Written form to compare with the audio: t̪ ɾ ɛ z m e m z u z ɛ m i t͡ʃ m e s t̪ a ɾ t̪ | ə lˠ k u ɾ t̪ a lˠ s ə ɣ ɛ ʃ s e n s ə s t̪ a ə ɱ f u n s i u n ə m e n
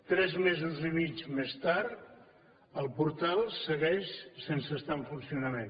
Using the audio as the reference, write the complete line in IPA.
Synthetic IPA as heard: t̪ ɾ ɛ z m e z u z i m i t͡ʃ m e s t̪ a ɾ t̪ | ə lˠ p u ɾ t̪ a lˠ s ə ɣ ɛ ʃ s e n s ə s t̪ a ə ɱ f u n s i u n ə m e n